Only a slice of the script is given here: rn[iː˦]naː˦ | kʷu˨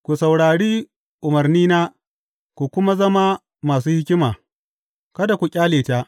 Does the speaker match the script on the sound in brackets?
yes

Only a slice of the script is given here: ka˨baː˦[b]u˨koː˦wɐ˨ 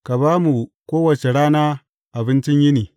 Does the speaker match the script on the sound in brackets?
no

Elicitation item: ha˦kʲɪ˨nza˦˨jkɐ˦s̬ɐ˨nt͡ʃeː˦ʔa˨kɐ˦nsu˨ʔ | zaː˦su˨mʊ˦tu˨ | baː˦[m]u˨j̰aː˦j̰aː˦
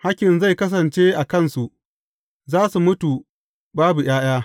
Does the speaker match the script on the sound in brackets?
no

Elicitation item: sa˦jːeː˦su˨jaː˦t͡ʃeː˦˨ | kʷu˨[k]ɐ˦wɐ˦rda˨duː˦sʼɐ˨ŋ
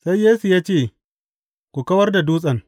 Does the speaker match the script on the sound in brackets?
yes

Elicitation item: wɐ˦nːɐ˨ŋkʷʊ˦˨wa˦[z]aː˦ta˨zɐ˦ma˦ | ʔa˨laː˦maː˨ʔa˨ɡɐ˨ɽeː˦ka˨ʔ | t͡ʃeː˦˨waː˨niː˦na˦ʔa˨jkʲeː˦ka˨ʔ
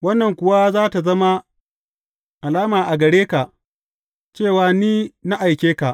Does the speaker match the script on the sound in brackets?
yes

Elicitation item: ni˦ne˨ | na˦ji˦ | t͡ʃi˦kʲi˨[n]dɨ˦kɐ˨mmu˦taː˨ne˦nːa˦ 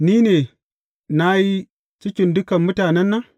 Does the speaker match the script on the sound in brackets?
yes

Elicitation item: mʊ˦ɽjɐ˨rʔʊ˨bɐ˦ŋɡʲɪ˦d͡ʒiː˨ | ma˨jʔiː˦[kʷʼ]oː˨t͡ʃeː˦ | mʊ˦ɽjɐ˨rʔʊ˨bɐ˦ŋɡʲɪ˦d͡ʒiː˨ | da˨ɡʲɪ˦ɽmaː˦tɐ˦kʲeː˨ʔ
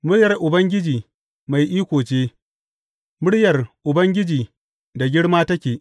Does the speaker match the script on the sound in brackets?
no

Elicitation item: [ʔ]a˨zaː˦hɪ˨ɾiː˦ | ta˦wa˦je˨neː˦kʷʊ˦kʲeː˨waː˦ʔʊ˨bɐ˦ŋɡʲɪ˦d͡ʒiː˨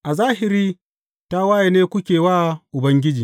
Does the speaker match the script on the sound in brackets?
yes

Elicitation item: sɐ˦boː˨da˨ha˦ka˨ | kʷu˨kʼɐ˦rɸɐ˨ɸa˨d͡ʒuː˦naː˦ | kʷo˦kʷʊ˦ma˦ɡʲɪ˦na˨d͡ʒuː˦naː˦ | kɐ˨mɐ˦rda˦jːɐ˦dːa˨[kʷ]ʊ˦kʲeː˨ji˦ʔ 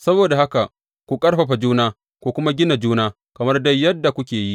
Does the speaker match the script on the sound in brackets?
yes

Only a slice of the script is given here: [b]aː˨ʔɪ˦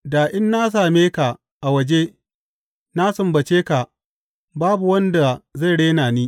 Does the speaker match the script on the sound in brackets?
no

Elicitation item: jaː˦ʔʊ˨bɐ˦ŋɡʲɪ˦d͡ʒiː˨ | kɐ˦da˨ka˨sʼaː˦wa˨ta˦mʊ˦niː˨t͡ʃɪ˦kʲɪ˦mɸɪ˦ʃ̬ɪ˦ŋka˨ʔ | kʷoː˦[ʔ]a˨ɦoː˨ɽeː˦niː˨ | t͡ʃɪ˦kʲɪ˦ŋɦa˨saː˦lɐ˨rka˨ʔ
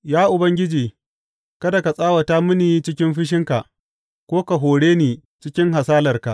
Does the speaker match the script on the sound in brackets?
no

